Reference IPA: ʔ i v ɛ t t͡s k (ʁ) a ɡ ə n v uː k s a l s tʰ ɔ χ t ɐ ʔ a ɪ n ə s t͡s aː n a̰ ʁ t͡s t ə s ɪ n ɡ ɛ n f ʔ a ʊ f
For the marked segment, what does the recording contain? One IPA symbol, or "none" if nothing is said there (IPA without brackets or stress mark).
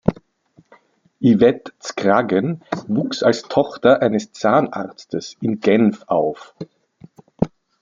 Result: ʁ